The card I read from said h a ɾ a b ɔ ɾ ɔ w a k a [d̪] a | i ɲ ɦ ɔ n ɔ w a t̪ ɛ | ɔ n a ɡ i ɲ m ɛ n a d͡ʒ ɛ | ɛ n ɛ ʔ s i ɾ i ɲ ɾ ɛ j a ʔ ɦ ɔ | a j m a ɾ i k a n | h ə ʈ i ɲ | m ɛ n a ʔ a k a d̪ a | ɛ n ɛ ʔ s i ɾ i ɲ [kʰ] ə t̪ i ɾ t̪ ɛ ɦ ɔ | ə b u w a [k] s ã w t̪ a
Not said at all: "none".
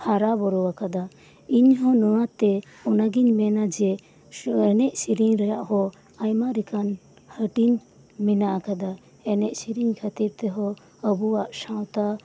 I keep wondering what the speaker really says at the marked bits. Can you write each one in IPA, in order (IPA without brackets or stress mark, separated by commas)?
d̪, kʰ, ʔ